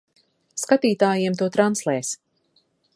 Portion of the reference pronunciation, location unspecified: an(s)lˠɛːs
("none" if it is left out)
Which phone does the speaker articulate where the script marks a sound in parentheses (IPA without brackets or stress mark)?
s